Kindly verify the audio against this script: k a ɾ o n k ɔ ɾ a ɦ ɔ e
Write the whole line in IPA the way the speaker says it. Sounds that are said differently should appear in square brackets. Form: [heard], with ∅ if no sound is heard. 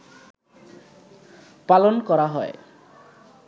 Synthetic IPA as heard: [p] a [l] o n k ɔ ɾ a ɦ ɔ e